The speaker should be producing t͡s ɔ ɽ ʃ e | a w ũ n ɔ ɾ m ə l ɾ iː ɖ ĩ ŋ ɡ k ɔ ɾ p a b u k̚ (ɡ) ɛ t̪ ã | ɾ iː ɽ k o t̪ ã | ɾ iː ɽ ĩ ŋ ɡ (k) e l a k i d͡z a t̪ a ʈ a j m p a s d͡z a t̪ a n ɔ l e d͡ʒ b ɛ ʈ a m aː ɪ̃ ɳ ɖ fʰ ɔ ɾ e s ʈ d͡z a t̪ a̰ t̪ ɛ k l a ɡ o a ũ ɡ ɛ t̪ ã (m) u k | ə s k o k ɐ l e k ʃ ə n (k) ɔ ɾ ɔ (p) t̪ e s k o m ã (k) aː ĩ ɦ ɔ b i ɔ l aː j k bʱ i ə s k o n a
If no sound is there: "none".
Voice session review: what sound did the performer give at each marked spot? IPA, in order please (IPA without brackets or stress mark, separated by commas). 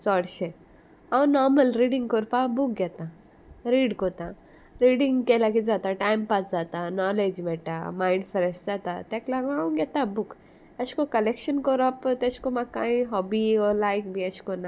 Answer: ɡ, k, b, k, p, k